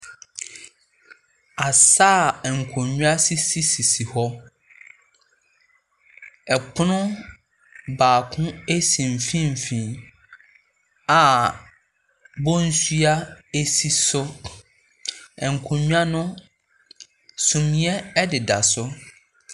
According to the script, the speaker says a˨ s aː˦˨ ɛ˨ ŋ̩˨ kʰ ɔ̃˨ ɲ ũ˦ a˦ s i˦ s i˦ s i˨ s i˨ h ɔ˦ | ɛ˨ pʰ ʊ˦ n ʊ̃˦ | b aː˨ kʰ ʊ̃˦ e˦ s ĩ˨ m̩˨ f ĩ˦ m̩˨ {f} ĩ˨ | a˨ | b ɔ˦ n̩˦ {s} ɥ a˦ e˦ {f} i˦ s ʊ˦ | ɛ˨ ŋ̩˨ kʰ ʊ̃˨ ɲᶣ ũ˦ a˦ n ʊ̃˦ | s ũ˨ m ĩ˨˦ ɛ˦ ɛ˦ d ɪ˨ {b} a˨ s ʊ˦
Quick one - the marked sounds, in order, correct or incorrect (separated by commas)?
correct, correct, incorrect, incorrect